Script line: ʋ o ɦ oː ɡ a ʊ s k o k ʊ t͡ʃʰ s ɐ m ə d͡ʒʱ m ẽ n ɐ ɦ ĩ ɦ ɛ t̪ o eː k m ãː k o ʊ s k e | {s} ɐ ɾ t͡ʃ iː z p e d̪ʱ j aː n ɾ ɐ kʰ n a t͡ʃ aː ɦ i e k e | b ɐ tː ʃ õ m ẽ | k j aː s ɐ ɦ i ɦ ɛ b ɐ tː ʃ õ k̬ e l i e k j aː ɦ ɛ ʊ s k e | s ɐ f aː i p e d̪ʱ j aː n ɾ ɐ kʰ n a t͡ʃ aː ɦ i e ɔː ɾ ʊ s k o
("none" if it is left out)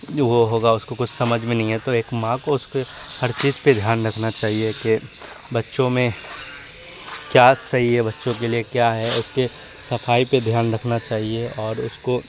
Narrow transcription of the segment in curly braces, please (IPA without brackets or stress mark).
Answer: h